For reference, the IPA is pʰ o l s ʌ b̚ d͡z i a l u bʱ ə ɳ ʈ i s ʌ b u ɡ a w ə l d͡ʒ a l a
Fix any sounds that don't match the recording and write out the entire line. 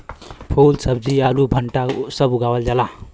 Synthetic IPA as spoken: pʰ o l s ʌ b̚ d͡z i a l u bʱ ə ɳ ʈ a s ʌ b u ɡ a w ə l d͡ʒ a l a